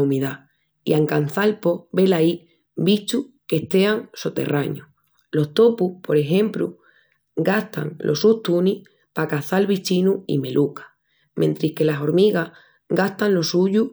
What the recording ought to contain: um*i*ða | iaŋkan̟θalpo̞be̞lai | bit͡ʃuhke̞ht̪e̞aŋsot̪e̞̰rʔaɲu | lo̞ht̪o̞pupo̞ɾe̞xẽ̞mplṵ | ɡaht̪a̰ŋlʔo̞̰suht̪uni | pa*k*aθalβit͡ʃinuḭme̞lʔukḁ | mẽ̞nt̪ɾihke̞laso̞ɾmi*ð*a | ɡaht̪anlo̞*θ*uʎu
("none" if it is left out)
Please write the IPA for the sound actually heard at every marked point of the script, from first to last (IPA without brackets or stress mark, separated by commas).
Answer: i, k, ɣ, s